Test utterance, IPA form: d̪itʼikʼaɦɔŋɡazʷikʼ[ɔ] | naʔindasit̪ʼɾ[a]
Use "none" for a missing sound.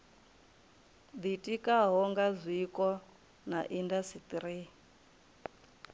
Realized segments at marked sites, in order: ɔ, i

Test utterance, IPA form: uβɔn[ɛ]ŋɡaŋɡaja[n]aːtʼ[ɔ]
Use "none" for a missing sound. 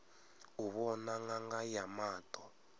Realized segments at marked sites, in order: a, m, ɔ

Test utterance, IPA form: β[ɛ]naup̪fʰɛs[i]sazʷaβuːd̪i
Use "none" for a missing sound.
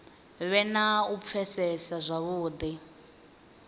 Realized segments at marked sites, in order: ɛ, ɛ

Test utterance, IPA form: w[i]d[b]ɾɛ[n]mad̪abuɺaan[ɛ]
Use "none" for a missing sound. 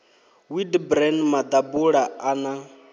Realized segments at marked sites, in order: i, b, n, a

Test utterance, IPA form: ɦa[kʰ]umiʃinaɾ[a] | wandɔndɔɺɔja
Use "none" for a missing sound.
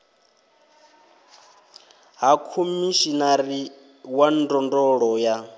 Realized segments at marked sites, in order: kʰ, i

